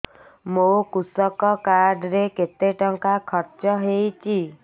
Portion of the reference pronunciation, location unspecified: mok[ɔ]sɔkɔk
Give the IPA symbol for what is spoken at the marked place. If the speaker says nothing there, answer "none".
u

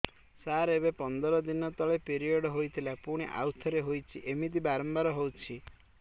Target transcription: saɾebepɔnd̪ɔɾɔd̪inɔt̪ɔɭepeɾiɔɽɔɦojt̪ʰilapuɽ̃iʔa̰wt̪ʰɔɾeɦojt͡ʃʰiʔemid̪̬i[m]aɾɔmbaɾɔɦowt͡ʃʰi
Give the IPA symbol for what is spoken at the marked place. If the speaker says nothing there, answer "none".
b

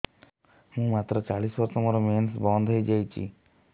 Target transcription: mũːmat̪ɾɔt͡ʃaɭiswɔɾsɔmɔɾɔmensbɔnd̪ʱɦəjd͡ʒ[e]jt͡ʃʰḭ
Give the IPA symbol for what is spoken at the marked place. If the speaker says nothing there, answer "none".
a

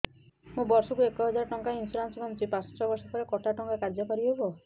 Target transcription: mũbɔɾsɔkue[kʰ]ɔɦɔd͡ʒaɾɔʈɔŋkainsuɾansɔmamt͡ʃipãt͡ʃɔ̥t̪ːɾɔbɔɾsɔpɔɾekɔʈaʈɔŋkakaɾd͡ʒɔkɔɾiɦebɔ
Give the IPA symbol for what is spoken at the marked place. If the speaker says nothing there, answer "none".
k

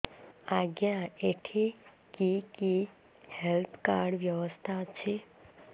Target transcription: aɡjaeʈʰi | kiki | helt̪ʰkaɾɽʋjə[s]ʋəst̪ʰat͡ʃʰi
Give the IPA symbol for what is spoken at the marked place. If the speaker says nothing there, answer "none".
none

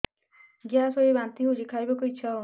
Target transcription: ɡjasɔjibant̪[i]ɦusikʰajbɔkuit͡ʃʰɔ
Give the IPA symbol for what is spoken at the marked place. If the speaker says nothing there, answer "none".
i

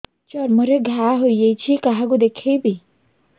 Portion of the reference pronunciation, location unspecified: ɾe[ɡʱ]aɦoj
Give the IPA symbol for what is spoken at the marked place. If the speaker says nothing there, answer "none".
ɡʱ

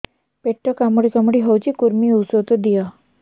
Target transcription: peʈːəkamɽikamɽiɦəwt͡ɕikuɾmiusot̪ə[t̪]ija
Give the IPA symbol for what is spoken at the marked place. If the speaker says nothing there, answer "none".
d̪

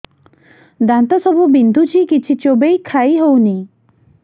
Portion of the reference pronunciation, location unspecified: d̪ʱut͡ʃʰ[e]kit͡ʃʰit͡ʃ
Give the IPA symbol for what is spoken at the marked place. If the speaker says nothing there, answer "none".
i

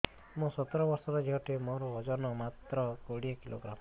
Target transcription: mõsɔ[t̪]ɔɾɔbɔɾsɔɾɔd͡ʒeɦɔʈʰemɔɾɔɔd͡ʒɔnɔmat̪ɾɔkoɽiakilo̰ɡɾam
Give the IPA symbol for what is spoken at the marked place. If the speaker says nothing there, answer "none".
t̪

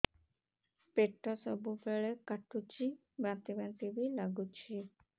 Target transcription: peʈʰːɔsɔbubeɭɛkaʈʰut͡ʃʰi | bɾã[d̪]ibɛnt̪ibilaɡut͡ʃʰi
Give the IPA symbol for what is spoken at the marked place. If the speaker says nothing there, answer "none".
t̪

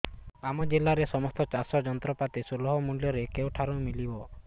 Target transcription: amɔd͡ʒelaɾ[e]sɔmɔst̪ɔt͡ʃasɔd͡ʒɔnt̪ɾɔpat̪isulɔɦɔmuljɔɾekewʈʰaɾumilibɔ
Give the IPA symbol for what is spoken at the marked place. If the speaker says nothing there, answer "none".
e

